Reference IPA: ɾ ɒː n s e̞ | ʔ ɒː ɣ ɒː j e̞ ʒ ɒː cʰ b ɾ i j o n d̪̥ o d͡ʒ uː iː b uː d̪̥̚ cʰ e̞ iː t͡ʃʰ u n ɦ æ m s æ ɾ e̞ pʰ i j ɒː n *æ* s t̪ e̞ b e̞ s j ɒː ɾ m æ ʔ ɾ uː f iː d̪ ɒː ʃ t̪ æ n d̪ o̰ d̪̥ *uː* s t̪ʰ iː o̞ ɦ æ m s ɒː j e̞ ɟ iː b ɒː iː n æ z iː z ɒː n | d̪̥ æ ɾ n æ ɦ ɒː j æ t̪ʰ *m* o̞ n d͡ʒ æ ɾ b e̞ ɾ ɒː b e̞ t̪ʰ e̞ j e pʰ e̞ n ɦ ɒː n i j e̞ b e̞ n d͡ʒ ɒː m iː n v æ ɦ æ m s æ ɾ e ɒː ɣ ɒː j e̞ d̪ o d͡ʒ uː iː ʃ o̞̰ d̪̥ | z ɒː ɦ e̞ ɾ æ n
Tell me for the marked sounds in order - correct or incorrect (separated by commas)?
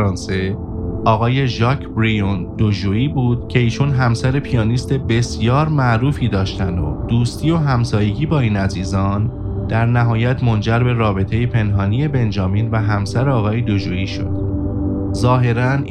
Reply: incorrect, correct, correct